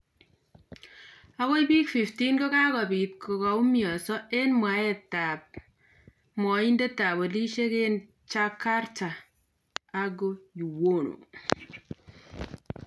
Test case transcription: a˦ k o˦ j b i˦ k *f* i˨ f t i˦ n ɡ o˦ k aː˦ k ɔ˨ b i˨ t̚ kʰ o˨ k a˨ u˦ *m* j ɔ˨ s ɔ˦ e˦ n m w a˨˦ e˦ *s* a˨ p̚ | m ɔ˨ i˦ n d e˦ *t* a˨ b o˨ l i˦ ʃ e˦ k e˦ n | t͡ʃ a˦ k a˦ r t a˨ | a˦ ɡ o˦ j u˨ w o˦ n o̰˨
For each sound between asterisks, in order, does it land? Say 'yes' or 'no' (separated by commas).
yes, yes, no, yes